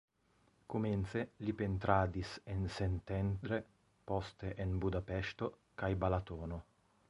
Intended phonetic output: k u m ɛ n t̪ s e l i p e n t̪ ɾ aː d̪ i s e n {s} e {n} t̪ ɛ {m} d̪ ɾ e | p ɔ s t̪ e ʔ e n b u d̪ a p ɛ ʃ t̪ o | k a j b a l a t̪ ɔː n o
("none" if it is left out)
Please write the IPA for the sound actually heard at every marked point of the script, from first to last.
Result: s, n, n

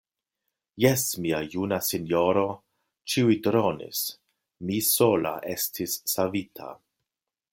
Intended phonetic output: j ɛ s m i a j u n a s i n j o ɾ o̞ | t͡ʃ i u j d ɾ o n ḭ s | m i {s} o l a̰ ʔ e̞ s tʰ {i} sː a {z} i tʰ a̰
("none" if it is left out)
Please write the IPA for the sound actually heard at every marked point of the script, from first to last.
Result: s, i, v

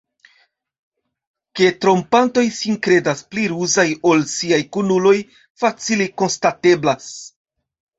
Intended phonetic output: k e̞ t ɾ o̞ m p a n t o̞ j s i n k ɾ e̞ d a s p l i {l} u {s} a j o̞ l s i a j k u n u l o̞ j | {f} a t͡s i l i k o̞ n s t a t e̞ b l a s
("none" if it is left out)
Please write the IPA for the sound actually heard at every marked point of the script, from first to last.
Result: ɾ, z, f

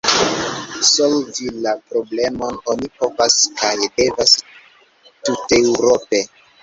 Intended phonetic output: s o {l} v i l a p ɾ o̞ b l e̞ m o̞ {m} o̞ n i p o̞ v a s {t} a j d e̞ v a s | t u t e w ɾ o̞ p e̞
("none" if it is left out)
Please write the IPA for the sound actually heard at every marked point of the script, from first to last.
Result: l, n, k

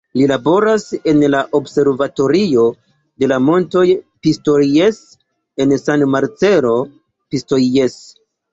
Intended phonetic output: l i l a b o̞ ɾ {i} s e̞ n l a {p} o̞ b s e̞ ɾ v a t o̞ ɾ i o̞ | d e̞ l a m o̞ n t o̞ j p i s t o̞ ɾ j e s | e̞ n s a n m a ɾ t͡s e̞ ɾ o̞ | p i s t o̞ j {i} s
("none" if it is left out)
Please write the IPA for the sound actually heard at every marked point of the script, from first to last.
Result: a, ʔ, e

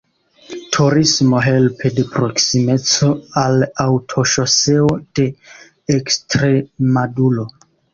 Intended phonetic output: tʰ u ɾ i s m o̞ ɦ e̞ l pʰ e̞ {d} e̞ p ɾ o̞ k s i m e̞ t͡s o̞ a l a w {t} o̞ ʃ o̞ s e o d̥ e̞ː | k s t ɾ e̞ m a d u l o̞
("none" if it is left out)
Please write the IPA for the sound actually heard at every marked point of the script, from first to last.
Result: d, tʰ

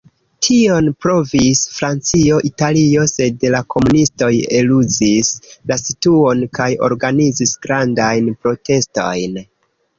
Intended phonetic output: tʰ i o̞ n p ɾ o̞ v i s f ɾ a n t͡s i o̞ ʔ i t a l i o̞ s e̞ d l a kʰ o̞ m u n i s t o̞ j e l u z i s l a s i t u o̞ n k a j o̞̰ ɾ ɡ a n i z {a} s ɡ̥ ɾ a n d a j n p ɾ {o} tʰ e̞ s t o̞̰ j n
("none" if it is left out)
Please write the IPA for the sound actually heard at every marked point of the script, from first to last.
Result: i, o

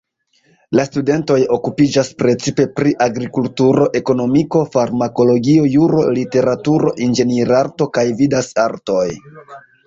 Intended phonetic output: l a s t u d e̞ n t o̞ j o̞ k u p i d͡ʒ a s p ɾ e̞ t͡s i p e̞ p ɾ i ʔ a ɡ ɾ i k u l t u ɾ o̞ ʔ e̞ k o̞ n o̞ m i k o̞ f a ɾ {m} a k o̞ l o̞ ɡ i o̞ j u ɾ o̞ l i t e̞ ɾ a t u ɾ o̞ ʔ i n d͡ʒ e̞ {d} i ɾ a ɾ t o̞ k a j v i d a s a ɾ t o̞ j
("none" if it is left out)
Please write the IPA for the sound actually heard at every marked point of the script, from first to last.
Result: m, n

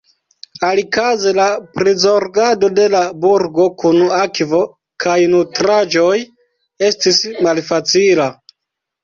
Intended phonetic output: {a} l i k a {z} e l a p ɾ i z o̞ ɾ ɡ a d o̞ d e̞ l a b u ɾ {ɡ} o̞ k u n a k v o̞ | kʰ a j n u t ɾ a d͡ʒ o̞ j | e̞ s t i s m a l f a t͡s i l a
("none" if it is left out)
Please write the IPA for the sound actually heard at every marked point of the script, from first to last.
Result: a, z, ɡ

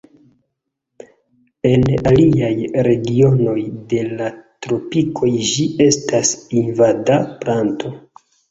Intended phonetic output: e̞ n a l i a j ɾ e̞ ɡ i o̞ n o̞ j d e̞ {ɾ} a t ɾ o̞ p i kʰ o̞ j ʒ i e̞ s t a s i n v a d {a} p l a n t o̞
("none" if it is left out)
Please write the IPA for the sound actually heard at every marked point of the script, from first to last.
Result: l, a

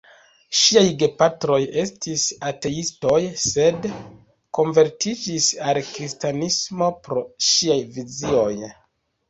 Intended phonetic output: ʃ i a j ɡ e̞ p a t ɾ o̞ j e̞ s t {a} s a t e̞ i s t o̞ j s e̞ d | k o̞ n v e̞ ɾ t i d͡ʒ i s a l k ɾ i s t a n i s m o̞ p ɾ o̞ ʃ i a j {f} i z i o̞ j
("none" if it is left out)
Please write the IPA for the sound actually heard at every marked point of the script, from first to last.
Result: i, v

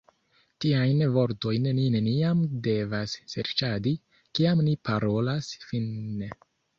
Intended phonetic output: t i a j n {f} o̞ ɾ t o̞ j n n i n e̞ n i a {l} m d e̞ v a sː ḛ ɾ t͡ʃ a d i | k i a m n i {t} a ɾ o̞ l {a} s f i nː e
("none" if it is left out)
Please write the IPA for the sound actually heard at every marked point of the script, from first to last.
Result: v, none, p, a

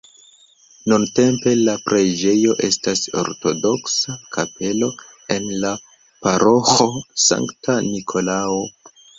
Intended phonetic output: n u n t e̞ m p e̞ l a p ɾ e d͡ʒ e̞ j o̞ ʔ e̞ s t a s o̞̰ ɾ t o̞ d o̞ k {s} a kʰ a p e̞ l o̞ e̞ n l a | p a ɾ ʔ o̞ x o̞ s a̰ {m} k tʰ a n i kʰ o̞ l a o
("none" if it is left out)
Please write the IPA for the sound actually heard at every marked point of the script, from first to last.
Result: s, ŋ

